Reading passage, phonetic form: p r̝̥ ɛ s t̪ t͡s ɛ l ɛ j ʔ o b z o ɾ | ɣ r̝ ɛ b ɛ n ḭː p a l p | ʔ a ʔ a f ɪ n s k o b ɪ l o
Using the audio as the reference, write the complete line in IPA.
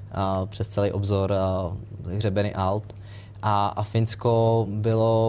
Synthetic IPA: p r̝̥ ɛ s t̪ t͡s ɛ l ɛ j ʔ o b z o ɾ | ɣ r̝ ɛ b ɛ n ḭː ʔ a l p | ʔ a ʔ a f ɪ n s k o b ɪ l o